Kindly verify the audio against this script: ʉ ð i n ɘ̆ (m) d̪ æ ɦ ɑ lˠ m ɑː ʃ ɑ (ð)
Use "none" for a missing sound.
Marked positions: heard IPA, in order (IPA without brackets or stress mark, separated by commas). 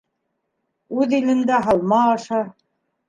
n, none